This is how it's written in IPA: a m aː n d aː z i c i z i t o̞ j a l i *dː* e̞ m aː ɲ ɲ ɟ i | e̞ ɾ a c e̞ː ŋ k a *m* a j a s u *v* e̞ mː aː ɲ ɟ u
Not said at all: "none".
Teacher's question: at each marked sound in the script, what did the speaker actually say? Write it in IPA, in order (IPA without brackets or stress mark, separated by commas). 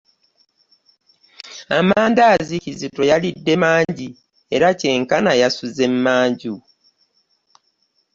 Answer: dː, n, z